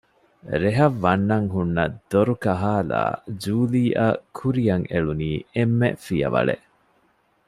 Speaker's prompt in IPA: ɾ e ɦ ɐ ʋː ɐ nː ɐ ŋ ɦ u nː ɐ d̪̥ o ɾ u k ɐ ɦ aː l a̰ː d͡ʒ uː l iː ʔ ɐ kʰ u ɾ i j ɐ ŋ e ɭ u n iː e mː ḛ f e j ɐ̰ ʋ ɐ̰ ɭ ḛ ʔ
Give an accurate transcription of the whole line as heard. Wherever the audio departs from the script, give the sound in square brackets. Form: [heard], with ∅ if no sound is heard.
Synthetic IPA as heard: ɾ e ɦ ɐ ʋː ɐ nː ɐ ŋ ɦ u nː ɐ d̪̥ o ɾ u k ɐ ɦ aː l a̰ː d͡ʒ uː l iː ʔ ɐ kʰ u ɾ i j ɐ ŋ e ɭ u n iː e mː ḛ f [i] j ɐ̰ ʋ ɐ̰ ɭ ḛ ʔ